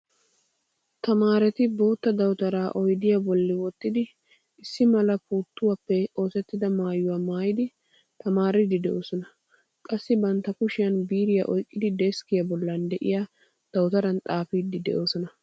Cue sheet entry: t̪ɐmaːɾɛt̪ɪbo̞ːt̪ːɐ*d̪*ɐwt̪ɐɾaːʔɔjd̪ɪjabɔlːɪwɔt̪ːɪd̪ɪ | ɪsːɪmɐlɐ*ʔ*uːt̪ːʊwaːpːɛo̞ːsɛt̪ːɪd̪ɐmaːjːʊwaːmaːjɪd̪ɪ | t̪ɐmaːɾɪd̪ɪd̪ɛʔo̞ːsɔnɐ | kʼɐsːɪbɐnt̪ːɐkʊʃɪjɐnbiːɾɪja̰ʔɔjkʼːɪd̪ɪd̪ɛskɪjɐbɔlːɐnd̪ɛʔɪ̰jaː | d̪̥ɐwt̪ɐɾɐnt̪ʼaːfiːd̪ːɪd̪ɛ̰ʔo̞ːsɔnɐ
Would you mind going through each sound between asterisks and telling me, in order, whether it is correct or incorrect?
correct, incorrect: p

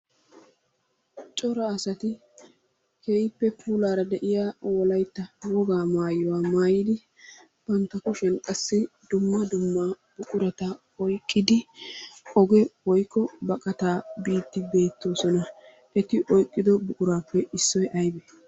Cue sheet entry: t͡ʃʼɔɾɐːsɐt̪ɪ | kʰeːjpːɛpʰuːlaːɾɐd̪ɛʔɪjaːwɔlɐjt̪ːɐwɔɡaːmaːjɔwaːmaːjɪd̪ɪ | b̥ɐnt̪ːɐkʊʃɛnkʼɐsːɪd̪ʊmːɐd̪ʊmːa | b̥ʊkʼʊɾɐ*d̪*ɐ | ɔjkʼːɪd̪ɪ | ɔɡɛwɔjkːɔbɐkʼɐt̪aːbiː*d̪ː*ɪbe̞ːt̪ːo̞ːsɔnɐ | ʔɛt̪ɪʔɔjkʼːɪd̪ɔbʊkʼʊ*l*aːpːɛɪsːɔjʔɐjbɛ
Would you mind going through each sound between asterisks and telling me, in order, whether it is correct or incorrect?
incorrect: t̪, incorrect: t̪ː, incorrect: ɾ

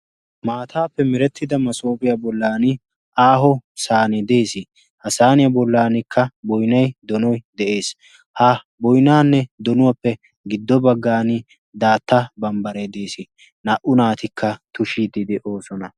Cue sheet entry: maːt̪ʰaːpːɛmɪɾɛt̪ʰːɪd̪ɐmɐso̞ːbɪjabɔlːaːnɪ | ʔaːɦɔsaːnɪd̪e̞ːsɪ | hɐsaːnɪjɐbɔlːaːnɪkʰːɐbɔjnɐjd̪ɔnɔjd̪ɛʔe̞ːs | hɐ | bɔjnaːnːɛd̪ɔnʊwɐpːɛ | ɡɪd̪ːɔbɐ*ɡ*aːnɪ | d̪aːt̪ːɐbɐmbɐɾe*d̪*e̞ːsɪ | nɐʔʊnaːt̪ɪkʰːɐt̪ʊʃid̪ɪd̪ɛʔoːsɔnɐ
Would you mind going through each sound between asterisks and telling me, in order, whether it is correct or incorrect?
incorrect: ɡː, correct

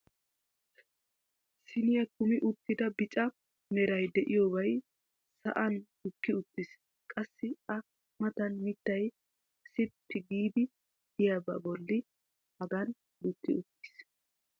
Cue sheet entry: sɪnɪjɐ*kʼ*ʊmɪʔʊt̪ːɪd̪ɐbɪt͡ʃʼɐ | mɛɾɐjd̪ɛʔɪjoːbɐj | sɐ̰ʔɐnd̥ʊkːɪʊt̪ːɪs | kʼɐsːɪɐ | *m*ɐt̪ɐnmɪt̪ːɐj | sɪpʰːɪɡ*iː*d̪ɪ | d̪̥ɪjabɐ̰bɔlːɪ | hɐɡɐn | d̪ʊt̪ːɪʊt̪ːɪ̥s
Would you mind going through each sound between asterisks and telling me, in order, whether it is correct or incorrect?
incorrect: k, correct, correct

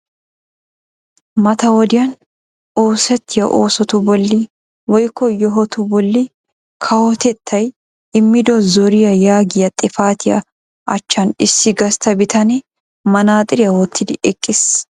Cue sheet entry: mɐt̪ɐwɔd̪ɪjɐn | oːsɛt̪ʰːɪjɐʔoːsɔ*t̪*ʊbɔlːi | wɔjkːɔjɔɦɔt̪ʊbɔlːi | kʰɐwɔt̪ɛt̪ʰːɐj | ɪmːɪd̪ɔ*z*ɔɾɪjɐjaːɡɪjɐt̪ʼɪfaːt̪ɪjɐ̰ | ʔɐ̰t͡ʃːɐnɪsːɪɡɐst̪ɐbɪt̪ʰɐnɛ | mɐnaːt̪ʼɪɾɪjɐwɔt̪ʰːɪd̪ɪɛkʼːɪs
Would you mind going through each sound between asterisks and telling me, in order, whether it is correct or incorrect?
correct, correct

